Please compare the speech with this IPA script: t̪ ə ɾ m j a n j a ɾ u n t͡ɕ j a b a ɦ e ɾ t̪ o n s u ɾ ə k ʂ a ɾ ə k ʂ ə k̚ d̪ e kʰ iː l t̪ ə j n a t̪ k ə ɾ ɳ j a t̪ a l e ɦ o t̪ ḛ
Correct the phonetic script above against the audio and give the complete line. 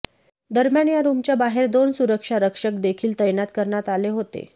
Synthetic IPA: d̪ ə ɾ m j a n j a ɾ u m t͡ɕ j a b a ɦ e ɾ d̪ o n s u ɾ ə k ʂ a ɾ ə k ʂ ə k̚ d̪ e kʰ iː l t̪ ə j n a t̪ k ə ɾ ɳ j a t̪ a l e ɦ o t̪ ḛ

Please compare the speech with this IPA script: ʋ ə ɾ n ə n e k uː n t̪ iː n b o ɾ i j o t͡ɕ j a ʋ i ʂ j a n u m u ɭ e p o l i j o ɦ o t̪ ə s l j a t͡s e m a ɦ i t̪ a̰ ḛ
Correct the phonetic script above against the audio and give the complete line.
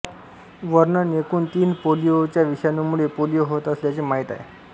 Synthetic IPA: ʋ ə ɾ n ə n e k uː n t̪ iː n p o l i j o t͡ɕ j a ʋ i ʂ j a n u m u ɭ e p o l i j o ɦ o t̪ ə s l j a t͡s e m a ɦ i t̪ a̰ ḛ

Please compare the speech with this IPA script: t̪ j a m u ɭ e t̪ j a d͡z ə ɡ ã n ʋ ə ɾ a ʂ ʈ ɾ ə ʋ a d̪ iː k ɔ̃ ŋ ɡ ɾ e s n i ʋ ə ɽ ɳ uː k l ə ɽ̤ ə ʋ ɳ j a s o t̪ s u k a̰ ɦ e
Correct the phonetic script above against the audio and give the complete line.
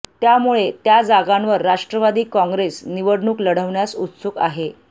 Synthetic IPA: t̪ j a m u ɭ e t̪ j a d͡z a ɡ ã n ʋ ə ɾː a ʂ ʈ ɾ ə ʋ a d̪ iː k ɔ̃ ŋ ɡ ɾ e s n i ʋ ə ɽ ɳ uː k l ə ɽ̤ ə ʋ ɳ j a s u t̪ s u k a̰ ɦ e

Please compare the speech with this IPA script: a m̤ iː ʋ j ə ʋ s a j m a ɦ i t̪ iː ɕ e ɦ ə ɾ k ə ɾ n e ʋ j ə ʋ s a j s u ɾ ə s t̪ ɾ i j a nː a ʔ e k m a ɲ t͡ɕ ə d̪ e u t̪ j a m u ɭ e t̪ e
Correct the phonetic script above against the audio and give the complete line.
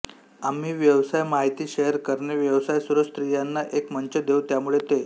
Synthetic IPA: a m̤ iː ʋ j ə ʋ s a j m a ɦ i t̪ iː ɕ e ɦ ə ɾ k ə ɾ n e ʋ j ə ʋ s a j s u ɾ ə s t̪ ɾ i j a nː a ʔ e k m ə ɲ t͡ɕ ə d̪ e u t̪ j a m u ɭ e t̪ e

